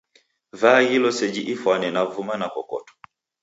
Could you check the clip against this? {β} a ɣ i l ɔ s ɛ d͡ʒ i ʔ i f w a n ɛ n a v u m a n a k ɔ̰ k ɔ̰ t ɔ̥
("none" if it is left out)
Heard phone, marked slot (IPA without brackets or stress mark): v